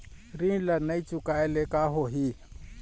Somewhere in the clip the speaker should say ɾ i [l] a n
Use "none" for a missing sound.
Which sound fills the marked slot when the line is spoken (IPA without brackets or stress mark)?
l